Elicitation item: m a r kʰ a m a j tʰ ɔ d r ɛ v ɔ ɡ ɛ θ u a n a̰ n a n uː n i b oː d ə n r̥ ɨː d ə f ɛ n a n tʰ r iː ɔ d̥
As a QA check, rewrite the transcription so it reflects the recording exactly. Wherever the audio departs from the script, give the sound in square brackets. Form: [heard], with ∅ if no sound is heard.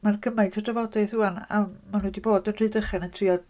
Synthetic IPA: m a r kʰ [ə] m a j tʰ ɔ d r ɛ v ɔ [d] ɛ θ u a n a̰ [m] a n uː [d] i b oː d ə n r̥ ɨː d ə [χ] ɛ n [ə] n tʰ r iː ɔ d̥